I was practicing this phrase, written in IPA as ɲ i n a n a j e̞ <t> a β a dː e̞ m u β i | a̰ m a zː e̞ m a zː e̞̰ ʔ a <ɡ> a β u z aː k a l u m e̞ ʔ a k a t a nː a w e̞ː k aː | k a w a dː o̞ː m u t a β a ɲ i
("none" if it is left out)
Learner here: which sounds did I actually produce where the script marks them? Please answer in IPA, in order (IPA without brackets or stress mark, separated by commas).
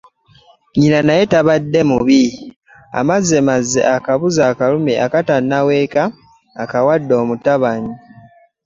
t, k